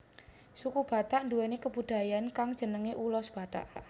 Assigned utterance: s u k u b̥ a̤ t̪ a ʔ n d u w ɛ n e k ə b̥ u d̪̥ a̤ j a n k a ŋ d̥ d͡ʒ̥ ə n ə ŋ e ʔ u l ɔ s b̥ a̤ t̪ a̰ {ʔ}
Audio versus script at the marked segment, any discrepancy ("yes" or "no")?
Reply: no